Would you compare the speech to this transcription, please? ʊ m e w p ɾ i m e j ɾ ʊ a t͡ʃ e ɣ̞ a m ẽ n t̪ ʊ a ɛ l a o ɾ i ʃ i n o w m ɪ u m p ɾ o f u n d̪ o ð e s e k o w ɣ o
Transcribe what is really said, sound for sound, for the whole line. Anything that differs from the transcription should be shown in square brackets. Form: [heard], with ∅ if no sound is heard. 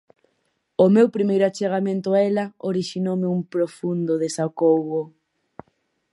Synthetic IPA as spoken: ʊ m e w p ɾ i m e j ɾ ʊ a t͡ʃ e ɣ̞ a m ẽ n t̪ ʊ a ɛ l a o ɾ i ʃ i n o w m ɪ u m p ɾ o f u n d̪ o ð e s [a] k o w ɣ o